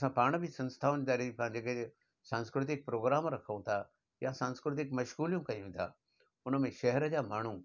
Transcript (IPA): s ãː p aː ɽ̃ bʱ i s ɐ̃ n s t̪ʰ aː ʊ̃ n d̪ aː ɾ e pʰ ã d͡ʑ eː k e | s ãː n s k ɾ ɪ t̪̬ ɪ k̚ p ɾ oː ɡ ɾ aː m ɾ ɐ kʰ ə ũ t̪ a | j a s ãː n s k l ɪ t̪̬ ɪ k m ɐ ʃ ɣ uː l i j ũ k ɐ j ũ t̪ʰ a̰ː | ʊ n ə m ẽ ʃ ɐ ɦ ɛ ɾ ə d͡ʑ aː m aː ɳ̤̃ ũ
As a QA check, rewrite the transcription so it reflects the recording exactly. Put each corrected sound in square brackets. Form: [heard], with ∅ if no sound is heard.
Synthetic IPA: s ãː p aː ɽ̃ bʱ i s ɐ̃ n s t̪ʰ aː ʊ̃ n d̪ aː ɾ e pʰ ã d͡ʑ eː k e | s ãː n s k ɾ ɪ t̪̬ ɪ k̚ p ɾ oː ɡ ɾ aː m ɾ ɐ kʰ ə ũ [t̪ʰ] a | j a s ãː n s k [ɾ] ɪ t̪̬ ɪ k m ɐ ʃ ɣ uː l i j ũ k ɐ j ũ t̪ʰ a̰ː | ʊ n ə m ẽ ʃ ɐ ɦ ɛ ɾ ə d͡ʑ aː m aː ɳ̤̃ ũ